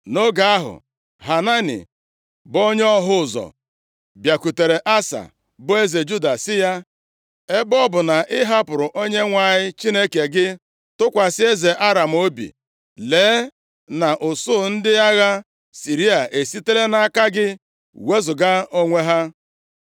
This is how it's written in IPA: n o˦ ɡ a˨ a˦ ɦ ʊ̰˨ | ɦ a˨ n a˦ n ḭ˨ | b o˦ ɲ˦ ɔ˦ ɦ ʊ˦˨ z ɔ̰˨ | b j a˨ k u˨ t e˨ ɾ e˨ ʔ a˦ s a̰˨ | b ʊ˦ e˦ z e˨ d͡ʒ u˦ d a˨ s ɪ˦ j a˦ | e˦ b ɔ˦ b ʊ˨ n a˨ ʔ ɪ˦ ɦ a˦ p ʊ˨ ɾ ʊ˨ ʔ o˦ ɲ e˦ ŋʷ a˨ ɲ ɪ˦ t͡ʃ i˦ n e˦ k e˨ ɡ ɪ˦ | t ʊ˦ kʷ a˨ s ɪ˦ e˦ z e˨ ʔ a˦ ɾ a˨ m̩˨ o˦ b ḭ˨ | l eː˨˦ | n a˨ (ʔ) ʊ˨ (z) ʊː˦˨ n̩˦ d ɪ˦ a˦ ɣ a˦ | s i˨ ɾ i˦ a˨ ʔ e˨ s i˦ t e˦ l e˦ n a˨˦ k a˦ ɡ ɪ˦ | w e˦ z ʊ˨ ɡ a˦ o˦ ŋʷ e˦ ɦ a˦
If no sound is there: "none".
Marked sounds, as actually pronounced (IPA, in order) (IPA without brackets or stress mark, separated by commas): ʔ, s